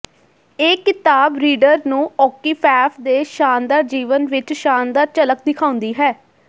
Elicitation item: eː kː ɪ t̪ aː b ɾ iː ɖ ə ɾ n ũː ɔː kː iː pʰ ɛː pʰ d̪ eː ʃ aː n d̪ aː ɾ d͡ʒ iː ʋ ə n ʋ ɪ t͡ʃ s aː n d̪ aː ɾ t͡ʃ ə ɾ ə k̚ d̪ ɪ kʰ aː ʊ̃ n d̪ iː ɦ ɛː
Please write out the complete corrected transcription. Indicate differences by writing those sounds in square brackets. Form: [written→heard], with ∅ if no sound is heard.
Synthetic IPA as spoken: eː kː ɪ t̪ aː b ɾ iː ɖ ə ɾ n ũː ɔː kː iː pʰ ɛː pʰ d̪ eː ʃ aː n d̪ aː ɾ d͡ʒ iː ʋ ə n ʋ ɪ t͡ʃ [s→ʃ] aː n d̪ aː ɾ t͡ʃ ə [ɾ→l] ə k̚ d̪ ɪ kʰ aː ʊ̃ n d̪ iː ɦ ɛː

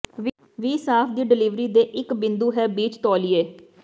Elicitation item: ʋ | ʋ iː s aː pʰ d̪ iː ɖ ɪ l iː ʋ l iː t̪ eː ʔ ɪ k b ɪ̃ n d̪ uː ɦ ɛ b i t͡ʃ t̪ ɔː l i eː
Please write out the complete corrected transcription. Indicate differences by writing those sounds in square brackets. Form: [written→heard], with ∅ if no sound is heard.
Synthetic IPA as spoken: ʋ | ʋ iː s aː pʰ d̪ iː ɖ ɪ l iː ʋ [l→ɾ] iː [t̪→d̪] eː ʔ ɪ k b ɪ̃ n d̪ uː ɦ [ɛ→ɛː] b [i→iː] t͡ʃ t̪ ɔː l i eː

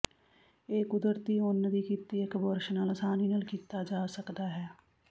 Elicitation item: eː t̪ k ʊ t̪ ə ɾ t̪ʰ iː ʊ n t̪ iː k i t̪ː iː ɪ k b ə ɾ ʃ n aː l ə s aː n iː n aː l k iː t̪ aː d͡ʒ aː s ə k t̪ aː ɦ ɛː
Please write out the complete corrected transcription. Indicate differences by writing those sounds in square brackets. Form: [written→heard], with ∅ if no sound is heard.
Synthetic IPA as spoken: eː [t̪→∅] k ʊ [t̪→d̪] ə ɾ [t̪ʰ→t̪] iː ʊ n [t̪→d̪] iː k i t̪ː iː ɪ k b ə ɾ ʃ n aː l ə s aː n iː n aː l k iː t̪ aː d͡ʒ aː s ə k [t̪→d̪] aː ɦ ɛː

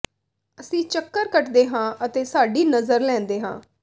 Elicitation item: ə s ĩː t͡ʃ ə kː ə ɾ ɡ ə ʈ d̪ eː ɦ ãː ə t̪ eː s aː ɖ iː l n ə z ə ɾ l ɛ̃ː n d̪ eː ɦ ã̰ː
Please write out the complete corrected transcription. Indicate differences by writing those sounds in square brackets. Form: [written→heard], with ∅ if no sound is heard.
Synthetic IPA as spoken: ə s ĩː t͡ʃ ə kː ə ɾ [ɡ→k] ə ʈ d̪ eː ɦ ãː ə t̪ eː s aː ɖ iː [l→∅] n ə z ə ɾ l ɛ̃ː n d̪ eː ɦ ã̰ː

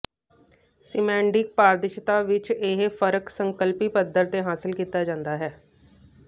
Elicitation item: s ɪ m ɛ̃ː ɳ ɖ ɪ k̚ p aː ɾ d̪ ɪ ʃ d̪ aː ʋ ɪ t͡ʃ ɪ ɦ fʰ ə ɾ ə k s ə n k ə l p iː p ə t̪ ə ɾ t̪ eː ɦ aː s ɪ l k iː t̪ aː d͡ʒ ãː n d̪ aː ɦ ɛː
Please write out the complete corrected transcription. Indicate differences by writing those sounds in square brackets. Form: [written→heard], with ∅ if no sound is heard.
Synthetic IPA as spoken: s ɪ m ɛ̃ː ɳ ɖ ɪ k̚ p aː ɾ d̪ ɪ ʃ [d̪→t̪] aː ʋ ɪ t͡ʃ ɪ ɦ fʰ ə ɾ ə k s ə [n→ŋ] k ə l p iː p ə [t̪→d̪] ə ɾ t̪ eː ɦ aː s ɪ l k iː t̪ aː d͡ʒ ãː n d̪ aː ɦ ɛː

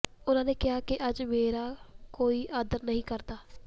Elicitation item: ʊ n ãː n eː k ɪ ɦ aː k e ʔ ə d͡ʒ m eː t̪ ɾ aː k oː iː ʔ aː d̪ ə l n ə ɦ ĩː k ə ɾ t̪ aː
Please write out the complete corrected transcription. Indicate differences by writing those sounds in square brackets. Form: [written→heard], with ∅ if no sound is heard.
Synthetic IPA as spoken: ʊ n ãː n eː k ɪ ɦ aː k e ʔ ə d͡ʒ m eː [t̪→∅] ɾ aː k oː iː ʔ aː d̪ ə [l→ɾ] n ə ɦ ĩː k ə ɾ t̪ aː

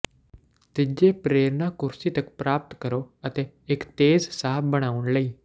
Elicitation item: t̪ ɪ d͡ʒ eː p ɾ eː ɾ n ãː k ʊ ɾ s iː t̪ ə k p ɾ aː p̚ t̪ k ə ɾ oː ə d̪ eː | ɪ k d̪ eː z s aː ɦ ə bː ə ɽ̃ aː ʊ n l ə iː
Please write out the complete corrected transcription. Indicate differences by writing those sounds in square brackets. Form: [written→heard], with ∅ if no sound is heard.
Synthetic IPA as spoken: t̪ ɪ d͡ʒ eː p ɾ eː ɾ n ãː k ʊ ɾ s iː t̪ ə k p ɾ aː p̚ t̪ k ə ɾ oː ə [d̪→t̪] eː | ɪ k [d̪→t̪] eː z s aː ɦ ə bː ə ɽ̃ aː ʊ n l ə iː

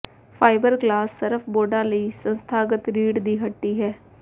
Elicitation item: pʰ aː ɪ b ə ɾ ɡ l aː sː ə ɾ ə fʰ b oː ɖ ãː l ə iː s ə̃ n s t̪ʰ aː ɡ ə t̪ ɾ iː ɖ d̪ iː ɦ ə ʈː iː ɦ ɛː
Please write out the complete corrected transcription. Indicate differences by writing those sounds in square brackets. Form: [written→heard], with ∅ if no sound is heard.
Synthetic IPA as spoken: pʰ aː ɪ b ə ɾ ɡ l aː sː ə ɾ ə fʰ b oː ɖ ãː l ə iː s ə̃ n s t̪ʰ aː ɡ ə t̪ ɾ iː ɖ d̪ iː ɦ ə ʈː iː ɦ ɛː

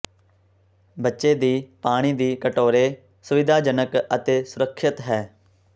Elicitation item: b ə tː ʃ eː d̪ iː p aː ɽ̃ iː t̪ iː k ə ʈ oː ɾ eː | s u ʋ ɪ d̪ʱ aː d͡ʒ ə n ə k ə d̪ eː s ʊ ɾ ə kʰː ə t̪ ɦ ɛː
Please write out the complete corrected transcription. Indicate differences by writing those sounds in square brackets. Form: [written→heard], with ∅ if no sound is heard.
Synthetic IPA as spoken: b ə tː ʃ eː d̪ iː p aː ɽ̃ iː [t̪→d̪] iː k ə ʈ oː ɾ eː | s [u→ʊ] ʋ ɪ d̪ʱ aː d͡ʒ ə n ə k ə [d̪→t̪] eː s ʊ ɾ ə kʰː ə t̪ ɦ ɛː

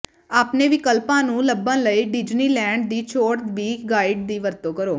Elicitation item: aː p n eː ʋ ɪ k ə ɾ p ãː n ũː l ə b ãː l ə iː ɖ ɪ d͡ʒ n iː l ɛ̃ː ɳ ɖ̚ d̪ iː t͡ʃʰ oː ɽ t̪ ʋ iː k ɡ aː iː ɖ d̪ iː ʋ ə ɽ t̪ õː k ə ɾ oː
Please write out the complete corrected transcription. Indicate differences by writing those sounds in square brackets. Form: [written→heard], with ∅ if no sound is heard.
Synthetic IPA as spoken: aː p n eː ʋ ɪ k ə [ɾ→l] p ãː n ũː l ə b ãː l ə iː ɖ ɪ d͡ʒ n iː l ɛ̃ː ɳ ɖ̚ d̪ iː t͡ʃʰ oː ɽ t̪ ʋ iː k ɡ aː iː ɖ d̪ iː ʋ ə [ɽ→ɾ] t̪ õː k ə ɾ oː

